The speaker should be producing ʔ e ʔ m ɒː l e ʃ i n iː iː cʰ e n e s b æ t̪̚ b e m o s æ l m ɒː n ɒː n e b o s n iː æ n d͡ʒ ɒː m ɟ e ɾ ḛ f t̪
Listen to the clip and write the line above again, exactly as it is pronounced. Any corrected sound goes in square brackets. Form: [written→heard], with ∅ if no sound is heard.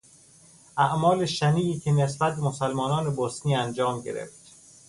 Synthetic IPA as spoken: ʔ [e→æ] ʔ m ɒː l e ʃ [i→æ] n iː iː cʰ e n e s b æ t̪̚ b e m o s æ l m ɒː n ɒː n e b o s n iː æ n d͡ʒ ɒː m ɟ e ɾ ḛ f t̪